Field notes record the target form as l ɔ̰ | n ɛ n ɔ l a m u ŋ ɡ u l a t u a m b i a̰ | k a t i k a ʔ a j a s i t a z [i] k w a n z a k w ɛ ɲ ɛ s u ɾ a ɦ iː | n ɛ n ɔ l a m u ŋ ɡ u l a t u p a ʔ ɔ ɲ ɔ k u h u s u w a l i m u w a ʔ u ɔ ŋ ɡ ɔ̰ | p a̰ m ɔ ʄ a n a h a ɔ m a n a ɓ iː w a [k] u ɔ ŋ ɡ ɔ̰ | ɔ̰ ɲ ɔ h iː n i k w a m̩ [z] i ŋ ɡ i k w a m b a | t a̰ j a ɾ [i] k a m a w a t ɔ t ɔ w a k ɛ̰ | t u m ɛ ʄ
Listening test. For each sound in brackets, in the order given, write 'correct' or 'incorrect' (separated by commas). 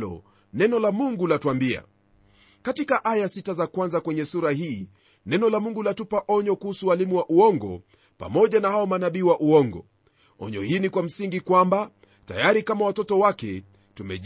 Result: incorrect, incorrect, incorrect, correct